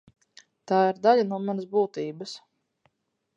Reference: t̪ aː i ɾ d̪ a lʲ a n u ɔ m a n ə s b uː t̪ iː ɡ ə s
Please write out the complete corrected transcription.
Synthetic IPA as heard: t̪ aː i ɾ d̪ a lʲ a n u ɔ m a n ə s b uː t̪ iː b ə s